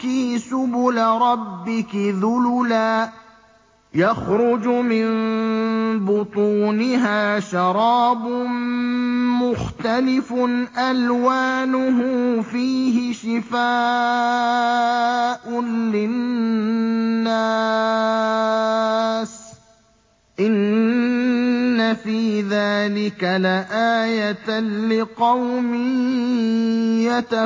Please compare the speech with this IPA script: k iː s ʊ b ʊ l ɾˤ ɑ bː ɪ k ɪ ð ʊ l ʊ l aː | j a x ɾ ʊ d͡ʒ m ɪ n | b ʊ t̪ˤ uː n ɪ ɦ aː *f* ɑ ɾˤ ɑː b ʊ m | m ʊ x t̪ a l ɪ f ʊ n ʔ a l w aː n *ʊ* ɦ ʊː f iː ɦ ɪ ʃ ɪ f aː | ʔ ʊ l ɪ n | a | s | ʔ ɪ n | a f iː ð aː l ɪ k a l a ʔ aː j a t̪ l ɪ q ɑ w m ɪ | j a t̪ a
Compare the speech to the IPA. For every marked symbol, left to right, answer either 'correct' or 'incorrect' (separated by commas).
incorrect, correct